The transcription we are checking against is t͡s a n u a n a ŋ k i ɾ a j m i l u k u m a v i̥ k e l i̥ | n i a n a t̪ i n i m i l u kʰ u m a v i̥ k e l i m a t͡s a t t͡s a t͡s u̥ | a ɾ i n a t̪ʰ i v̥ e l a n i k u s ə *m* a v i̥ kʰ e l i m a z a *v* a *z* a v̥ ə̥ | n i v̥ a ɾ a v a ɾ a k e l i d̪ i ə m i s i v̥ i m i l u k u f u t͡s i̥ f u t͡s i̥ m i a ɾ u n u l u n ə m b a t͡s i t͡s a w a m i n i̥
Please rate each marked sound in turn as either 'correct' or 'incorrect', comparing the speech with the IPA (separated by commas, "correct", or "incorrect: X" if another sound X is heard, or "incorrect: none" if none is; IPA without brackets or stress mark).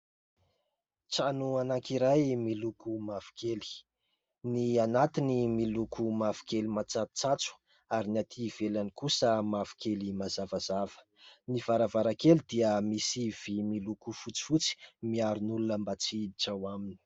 correct, correct, correct